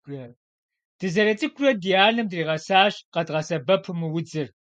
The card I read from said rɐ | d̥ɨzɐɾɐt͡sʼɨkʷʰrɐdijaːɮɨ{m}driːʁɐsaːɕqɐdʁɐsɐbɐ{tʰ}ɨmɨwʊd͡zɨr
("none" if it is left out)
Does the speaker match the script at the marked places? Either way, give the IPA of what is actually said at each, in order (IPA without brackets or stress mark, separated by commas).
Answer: m, pʰ